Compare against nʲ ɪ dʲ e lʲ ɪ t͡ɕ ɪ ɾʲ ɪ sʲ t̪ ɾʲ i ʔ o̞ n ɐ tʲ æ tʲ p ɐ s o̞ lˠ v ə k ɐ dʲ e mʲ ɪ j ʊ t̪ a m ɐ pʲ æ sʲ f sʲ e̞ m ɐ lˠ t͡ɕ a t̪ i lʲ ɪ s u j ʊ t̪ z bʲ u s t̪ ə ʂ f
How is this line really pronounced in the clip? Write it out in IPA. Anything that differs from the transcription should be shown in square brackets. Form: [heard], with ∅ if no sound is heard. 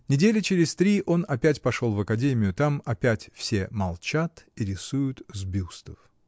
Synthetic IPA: nʲ ɪ dʲ e lʲ ɪ t͡ɕ ɪ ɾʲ ɪ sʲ t̪ ɾʲ i ʔ o̞ n ɐ [pʲ] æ tʲ p ɐ [ʂ] o̞ lˠ v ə k ɐ dʲ e mʲ ɪ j ʊ t̪ a m ɐ pʲ æ [tʲ] f sʲ e̞ m ɐ lˠ t͡ɕ a t̪ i [ɾʲ] ɪ s u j ʊ t̪ z bʲ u s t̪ ə [∅] f